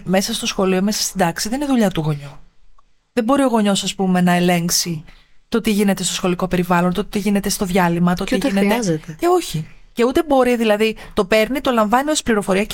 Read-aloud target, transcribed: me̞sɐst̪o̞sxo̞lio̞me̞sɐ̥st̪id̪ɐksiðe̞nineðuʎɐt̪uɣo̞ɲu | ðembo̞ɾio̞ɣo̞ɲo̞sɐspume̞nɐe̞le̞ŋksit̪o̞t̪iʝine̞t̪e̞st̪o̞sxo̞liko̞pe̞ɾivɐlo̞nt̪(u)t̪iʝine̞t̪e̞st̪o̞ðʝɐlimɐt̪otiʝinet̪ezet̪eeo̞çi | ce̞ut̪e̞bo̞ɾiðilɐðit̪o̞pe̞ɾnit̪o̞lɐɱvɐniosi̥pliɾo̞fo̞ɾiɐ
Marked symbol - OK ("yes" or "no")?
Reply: no